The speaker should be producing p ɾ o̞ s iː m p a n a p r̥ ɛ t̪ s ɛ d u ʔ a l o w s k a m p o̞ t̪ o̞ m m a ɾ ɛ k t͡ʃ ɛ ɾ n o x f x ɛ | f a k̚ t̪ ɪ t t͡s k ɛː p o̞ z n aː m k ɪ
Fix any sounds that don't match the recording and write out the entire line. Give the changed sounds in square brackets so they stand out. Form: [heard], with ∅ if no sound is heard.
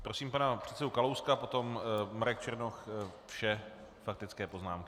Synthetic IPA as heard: p ɾ o̞ s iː m p a n a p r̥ ɛ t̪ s ɛ d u [k] a l o w s k a [∅] p o̞ t̪ o̞ m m a ɾ ɛ k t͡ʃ ɛ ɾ n o x f [ʃ] ɛ | f a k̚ t̪ ɪ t t͡s k ɛː p o̞ z n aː m k ɪ